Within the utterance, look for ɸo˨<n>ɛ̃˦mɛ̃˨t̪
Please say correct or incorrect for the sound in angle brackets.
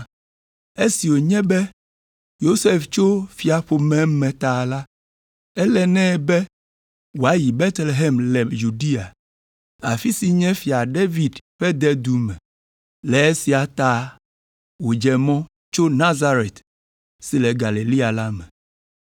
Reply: incorrect: m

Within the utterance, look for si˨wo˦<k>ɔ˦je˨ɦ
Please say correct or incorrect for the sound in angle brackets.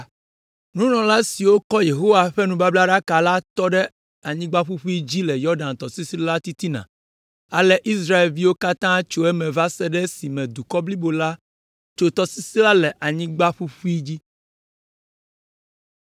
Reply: correct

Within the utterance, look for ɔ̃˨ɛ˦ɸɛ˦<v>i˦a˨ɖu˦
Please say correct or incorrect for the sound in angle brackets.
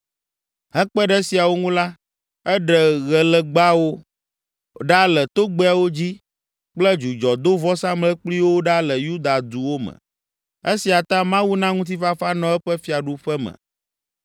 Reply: incorrect: f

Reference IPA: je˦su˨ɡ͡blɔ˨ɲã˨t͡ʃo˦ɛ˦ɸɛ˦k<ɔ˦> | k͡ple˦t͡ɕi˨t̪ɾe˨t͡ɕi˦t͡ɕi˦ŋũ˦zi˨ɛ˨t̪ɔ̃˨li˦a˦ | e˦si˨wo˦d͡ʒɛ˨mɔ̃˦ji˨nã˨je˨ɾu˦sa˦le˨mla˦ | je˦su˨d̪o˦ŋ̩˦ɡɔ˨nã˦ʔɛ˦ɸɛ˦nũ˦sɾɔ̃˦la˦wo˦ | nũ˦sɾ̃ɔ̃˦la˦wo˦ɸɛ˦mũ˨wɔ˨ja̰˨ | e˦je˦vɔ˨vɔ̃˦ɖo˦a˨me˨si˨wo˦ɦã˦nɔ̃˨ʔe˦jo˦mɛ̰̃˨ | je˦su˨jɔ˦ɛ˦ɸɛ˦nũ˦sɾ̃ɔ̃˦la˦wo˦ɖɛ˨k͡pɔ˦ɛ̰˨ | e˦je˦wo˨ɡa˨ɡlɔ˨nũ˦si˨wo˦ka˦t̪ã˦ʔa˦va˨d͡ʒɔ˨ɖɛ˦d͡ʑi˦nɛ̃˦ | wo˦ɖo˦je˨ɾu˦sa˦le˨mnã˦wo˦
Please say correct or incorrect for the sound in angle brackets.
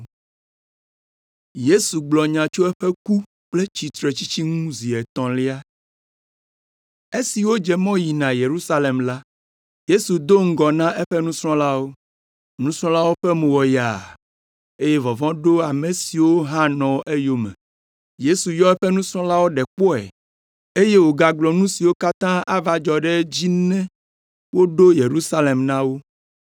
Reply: incorrect: u˦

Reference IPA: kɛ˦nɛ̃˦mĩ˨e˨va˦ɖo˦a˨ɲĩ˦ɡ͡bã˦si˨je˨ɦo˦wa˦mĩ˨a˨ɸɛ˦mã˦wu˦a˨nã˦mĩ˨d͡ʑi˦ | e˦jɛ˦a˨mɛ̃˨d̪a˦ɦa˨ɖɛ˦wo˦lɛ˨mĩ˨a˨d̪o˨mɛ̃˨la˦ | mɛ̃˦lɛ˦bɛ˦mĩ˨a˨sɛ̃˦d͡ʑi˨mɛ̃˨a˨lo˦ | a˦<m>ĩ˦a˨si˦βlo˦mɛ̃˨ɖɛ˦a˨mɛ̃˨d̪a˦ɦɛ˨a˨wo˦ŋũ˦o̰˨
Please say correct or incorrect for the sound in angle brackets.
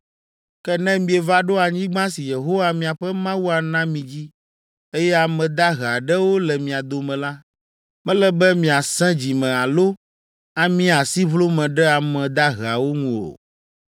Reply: correct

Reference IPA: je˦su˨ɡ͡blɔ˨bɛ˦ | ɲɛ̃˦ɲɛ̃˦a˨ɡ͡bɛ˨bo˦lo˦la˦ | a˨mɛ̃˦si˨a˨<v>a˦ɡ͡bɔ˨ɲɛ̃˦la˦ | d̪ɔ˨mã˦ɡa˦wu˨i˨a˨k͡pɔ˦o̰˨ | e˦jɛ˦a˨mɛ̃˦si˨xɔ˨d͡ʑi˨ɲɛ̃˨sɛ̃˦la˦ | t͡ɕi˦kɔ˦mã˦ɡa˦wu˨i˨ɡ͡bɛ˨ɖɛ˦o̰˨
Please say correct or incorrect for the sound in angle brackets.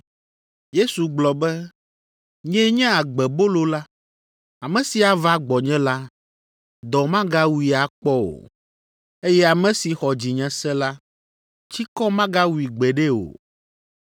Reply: correct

